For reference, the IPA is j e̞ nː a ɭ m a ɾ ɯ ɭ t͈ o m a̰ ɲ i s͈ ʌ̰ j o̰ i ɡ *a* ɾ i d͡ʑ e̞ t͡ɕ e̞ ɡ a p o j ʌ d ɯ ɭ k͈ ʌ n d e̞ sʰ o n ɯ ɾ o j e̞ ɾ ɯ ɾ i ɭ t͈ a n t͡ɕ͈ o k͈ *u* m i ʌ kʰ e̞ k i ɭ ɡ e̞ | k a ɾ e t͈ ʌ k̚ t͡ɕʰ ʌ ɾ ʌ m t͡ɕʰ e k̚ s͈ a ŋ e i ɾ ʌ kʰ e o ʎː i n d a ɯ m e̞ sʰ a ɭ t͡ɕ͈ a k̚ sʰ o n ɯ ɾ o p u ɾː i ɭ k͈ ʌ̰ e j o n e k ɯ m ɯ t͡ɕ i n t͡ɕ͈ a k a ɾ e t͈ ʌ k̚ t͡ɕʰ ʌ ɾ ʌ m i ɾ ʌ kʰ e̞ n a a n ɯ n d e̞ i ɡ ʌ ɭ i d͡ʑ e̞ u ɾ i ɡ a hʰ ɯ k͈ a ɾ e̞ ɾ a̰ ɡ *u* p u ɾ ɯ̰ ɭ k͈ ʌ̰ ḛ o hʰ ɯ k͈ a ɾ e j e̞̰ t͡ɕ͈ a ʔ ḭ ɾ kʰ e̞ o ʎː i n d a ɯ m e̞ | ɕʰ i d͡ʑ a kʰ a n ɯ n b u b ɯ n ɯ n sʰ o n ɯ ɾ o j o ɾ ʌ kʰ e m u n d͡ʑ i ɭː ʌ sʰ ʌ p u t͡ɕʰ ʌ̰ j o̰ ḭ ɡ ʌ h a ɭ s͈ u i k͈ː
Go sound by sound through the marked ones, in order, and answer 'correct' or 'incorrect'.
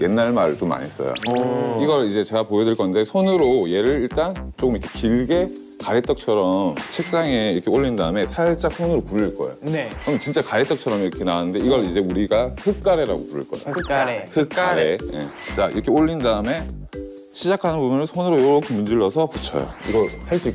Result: incorrect, incorrect, incorrect

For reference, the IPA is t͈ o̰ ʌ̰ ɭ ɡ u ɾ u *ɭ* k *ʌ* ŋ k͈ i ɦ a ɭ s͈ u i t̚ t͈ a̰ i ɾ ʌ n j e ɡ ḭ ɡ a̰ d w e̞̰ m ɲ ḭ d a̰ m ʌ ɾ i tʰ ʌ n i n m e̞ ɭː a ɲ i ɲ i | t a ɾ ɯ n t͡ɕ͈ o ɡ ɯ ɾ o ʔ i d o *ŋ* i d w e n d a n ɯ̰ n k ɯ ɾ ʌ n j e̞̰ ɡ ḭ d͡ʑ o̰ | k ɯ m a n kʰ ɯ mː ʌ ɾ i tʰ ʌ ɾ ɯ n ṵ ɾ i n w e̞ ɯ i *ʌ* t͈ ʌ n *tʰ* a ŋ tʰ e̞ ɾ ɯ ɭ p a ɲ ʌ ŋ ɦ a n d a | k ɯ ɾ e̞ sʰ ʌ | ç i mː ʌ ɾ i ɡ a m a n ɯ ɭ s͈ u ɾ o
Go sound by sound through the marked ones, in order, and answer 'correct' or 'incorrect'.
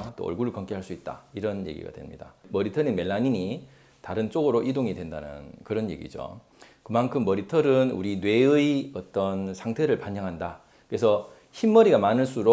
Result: correct, correct, correct, correct, incorrect

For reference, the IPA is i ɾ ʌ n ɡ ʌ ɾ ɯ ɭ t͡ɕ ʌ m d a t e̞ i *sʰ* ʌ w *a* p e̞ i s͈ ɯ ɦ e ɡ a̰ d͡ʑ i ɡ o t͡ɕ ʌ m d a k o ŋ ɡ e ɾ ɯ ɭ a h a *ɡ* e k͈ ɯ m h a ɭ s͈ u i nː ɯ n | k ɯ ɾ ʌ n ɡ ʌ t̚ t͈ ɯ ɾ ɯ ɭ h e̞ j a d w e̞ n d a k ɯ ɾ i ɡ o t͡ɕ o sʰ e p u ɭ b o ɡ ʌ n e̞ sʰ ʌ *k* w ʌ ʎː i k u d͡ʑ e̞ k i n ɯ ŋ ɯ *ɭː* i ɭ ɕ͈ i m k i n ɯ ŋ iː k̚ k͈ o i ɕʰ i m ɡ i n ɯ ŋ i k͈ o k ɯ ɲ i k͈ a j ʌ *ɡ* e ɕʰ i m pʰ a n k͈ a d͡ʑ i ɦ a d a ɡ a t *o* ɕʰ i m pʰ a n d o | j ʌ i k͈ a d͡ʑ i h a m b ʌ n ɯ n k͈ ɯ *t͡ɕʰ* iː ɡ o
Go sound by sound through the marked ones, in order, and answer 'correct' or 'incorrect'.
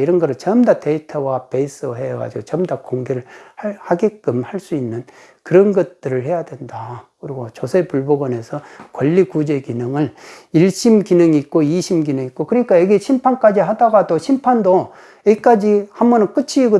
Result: incorrect, correct, correct, correct, incorrect, correct, correct, correct

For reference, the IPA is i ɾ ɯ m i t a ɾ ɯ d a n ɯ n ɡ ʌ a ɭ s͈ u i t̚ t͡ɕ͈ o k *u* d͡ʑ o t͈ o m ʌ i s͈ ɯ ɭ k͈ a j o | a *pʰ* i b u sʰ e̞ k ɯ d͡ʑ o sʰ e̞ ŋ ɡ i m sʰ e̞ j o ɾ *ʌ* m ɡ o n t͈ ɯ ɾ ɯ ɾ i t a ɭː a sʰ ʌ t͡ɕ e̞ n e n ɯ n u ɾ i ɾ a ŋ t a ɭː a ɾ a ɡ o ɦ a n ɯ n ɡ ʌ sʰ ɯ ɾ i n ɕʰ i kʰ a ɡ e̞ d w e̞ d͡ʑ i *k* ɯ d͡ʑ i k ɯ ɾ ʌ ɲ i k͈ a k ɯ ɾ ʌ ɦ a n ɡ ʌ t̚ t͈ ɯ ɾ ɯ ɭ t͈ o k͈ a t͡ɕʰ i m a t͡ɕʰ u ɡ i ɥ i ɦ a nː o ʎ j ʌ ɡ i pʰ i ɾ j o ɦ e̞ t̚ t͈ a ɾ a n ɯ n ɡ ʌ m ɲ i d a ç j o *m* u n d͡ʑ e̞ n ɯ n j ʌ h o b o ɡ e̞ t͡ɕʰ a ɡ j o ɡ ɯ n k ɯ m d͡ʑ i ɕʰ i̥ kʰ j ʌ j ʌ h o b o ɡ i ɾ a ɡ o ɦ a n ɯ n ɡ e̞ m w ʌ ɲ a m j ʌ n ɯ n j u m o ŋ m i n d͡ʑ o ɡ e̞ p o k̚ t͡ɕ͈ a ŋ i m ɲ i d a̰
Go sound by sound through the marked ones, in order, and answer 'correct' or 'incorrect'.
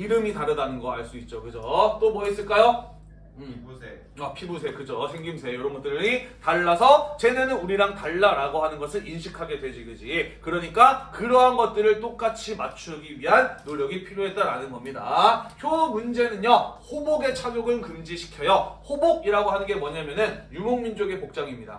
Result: incorrect, correct, correct, incorrect, correct

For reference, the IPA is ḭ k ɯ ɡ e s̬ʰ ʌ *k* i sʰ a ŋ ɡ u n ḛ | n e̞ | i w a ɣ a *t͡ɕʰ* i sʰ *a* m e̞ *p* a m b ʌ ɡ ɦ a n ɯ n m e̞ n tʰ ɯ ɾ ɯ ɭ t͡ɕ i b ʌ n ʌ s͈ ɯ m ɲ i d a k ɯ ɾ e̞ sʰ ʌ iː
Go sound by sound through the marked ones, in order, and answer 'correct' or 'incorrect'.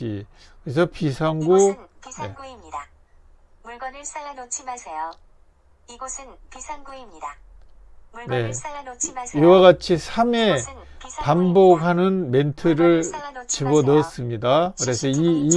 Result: incorrect, correct, correct, correct

